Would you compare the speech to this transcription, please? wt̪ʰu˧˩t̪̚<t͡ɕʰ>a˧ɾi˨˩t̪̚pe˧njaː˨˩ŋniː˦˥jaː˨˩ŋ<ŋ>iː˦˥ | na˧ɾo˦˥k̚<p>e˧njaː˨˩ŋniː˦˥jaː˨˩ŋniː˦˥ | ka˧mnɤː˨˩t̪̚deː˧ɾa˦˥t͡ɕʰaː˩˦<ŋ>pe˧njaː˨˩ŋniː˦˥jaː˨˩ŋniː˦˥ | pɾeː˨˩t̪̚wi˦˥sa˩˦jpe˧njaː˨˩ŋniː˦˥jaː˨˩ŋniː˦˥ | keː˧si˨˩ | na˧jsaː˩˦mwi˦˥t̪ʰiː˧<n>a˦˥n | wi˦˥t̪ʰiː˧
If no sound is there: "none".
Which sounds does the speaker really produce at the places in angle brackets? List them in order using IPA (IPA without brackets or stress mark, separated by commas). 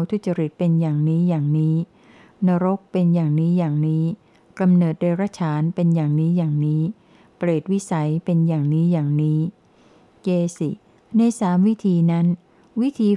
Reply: t͡ɕ, n, p, n, n